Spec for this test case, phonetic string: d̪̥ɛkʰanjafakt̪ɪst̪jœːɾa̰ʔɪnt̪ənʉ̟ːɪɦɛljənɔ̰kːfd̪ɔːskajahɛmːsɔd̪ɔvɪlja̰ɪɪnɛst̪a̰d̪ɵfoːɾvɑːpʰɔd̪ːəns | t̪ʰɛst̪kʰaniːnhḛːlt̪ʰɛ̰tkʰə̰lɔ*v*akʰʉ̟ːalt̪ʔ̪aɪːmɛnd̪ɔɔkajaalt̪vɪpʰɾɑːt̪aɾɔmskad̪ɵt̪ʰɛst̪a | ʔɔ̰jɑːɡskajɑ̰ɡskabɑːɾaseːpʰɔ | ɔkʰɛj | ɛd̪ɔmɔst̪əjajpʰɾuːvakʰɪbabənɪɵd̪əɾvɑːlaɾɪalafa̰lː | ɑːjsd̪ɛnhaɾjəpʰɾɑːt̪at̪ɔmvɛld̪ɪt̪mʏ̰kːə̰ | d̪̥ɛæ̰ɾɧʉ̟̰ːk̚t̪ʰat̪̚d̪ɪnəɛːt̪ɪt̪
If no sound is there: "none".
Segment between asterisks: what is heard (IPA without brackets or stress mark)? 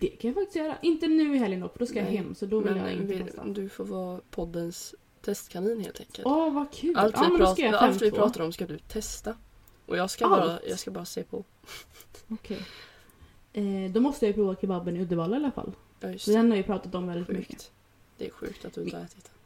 v